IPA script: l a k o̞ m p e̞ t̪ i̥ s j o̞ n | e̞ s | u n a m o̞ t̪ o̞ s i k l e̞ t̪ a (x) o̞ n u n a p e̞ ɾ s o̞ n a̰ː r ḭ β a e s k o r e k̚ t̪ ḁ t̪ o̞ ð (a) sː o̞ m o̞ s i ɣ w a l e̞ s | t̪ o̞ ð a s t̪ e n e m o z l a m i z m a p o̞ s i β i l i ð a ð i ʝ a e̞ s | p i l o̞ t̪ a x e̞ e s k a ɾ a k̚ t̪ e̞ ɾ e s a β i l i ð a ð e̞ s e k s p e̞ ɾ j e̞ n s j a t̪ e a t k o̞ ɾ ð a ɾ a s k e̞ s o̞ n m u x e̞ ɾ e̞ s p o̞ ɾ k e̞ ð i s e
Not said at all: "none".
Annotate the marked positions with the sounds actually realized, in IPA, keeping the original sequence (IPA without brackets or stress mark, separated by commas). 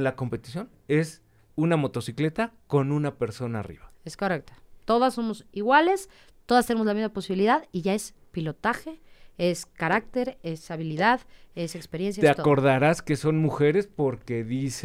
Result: k, a